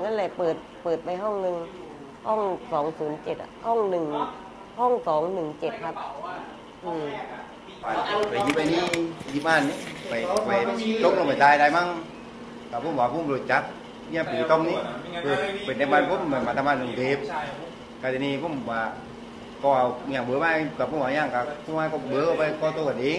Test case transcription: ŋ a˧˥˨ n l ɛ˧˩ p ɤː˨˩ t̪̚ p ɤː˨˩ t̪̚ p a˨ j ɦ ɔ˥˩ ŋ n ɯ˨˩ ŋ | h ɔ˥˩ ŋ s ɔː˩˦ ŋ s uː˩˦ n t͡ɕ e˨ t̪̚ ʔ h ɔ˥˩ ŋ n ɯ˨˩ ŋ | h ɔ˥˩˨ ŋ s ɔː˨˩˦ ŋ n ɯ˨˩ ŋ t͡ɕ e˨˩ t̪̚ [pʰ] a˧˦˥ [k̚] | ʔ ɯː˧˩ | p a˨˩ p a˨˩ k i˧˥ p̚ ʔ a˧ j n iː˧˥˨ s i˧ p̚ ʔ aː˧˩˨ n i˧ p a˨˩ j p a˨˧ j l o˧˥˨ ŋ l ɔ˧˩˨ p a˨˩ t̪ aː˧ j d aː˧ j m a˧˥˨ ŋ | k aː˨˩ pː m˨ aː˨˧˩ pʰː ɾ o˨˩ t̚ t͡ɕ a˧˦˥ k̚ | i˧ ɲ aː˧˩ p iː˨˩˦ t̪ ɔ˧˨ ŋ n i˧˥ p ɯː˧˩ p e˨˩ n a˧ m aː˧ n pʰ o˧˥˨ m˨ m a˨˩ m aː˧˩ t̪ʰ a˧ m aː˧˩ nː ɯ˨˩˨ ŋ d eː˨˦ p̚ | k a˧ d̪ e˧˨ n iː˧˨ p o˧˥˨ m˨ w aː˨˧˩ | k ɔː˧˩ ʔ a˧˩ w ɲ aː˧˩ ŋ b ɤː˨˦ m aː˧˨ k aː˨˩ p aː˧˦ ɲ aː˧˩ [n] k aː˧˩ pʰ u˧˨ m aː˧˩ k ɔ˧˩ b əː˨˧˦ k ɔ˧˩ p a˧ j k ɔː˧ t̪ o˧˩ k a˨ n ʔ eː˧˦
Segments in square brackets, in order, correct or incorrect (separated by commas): incorrect, incorrect, incorrect